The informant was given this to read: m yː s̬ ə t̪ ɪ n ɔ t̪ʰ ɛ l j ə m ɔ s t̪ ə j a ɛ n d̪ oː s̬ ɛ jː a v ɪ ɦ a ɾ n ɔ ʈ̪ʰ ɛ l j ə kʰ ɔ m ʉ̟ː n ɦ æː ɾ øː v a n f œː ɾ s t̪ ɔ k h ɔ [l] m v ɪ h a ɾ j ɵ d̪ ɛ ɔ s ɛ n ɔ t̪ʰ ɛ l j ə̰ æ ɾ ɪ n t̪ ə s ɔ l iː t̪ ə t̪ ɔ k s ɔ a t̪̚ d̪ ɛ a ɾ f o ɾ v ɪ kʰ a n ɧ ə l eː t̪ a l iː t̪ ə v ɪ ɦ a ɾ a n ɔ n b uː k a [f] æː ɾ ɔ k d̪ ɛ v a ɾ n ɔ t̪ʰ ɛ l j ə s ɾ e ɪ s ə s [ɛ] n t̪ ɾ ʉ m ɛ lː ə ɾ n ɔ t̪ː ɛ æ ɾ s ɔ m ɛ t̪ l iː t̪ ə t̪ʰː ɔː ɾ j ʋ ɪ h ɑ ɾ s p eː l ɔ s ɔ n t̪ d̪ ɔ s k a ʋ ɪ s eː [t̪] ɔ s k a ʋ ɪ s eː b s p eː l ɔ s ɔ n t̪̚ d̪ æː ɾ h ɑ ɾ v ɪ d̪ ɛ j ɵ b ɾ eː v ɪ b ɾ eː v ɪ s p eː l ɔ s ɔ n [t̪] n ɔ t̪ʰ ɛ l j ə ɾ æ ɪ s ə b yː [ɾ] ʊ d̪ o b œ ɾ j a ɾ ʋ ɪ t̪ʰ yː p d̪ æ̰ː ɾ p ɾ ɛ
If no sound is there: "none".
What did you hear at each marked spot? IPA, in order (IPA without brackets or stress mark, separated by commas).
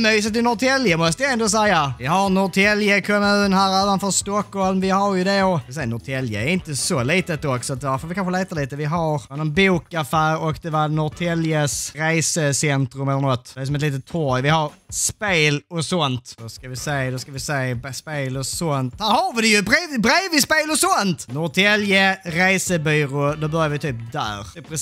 l, f, ɛ, d̪, t̪, ɾ